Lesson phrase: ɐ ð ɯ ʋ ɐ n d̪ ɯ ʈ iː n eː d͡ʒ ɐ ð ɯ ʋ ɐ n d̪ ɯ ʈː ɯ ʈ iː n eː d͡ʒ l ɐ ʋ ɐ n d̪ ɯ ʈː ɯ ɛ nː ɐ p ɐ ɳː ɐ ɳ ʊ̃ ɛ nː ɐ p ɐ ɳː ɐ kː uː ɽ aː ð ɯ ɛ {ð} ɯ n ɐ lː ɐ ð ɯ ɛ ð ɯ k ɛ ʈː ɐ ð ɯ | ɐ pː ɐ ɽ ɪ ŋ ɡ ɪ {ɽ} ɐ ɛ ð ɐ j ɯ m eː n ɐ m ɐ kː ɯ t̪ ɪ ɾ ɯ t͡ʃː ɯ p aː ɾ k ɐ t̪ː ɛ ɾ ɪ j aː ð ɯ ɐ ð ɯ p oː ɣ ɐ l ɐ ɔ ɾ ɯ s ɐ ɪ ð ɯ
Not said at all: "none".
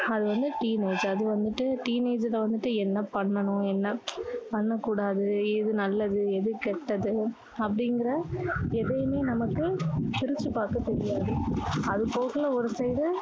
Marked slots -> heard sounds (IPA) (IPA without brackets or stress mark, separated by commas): ð, ɾ